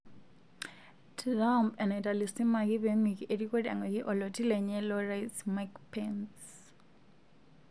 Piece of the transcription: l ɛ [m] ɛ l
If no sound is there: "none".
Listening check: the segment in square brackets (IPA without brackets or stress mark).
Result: ɲ